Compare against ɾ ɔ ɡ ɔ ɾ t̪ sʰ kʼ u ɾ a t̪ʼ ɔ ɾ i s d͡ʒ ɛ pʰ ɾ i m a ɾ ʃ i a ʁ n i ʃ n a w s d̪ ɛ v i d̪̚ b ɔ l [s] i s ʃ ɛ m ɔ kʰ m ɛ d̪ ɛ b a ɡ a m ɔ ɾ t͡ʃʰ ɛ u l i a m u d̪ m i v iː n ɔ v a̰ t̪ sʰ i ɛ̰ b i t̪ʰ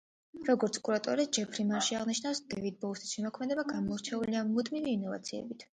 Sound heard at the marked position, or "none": s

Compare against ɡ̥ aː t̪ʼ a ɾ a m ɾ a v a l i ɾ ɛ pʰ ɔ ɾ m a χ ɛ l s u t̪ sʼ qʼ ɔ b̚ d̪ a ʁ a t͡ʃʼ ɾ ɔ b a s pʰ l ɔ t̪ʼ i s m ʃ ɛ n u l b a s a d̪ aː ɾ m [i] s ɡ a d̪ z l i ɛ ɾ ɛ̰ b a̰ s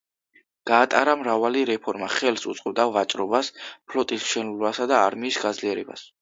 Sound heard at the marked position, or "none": iː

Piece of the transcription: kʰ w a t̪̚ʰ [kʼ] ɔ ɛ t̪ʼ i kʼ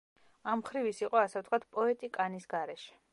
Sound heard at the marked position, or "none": pʼ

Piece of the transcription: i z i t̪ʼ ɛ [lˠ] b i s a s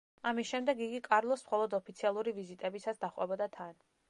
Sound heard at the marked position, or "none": none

